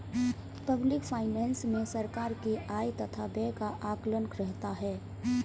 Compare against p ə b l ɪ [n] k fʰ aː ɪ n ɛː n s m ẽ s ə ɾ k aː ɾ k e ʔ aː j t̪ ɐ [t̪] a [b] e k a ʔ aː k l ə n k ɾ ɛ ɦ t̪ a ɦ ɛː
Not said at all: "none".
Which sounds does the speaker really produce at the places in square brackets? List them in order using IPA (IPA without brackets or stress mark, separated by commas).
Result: none, t̪ʰ, b